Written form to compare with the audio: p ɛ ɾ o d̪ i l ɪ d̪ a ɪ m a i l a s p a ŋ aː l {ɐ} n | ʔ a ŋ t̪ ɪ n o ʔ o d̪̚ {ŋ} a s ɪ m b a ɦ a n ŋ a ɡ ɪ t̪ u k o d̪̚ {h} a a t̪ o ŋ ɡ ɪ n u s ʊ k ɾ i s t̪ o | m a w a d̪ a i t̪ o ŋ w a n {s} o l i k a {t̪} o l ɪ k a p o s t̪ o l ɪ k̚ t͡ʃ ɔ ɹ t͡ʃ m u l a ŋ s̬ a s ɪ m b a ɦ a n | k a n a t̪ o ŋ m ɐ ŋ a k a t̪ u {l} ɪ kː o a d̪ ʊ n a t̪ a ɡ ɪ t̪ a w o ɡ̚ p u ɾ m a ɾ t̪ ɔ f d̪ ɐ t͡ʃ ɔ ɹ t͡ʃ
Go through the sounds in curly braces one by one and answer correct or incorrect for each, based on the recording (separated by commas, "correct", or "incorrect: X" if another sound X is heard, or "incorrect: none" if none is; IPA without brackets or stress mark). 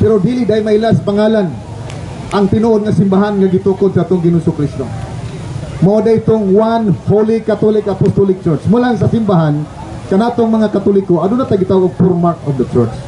incorrect: a, correct, incorrect: s, incorrect: h, correct, correct